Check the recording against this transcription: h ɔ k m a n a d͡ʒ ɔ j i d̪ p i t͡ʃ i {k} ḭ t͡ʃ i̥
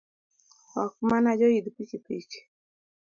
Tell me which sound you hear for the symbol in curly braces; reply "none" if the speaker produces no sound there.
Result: p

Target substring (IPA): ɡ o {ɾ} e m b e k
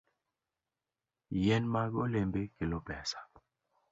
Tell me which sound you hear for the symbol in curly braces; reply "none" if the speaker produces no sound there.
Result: l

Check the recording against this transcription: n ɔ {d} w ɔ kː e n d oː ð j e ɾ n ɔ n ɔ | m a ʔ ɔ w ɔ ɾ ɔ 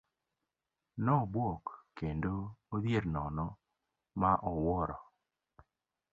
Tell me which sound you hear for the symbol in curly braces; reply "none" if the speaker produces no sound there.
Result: b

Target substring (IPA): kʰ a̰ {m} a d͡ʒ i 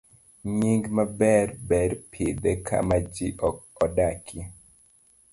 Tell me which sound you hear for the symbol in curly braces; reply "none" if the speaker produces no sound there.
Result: m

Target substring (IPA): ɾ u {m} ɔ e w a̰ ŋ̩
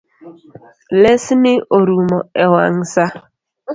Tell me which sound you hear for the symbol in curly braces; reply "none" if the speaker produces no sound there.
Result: m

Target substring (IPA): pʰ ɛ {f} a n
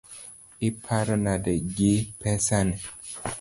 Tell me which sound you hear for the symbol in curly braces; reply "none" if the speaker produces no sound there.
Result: s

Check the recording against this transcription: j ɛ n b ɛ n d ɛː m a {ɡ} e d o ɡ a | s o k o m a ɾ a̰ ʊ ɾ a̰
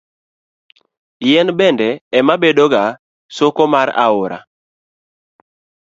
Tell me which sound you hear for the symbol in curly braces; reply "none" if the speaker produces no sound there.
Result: b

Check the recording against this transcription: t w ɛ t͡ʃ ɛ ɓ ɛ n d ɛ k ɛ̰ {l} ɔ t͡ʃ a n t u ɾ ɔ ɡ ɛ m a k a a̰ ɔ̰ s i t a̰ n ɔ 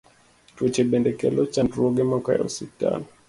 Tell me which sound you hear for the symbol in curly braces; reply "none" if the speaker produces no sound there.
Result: l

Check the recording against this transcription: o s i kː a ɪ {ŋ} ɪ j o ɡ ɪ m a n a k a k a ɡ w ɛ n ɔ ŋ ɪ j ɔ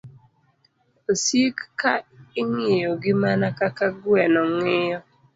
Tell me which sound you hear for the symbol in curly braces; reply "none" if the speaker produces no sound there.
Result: ŋ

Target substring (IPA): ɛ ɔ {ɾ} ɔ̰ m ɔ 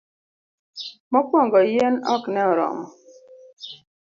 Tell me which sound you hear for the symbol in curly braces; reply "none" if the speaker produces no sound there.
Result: ɾ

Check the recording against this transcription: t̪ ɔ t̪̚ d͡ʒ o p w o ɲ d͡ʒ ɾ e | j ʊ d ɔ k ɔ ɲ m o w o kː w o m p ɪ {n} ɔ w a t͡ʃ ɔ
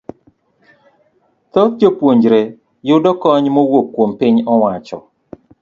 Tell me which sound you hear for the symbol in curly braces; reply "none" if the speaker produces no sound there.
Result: ɲ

